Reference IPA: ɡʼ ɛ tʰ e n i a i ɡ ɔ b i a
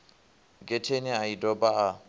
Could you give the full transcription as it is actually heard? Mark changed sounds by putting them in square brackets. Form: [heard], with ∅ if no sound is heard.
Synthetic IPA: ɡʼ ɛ tʰ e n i a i [d] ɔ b [a] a